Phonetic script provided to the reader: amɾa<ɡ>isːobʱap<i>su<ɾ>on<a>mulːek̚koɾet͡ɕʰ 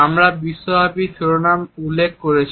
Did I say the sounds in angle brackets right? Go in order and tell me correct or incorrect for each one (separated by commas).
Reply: incorrect, correct, correct, correct